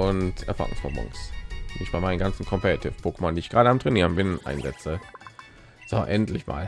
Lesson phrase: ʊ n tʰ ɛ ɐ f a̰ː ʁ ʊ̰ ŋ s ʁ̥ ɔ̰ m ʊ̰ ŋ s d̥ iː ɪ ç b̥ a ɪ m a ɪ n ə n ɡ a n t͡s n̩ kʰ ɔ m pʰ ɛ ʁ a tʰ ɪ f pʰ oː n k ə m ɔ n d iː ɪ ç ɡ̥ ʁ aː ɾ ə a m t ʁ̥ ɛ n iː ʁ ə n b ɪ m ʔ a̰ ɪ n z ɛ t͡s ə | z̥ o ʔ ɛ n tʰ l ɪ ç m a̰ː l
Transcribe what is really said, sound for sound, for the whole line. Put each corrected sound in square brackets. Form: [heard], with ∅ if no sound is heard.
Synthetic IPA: ʊ n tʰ ɛ ɐ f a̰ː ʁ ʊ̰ ŋ s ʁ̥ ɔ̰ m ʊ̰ ŋ s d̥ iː ɪ ç b̥ a ɪ m a ɪ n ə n ɡ a n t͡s n̩ kʰ ɔ m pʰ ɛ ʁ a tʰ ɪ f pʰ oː [∅] k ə m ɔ n d iː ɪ ç ɡ̥ ʁ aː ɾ ə a m t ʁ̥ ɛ n iː ʁ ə n b ɪ [n] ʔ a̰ ɪ n z ɛ t͡s ə | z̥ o ʔ ɛ n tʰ l ɪ ç m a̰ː l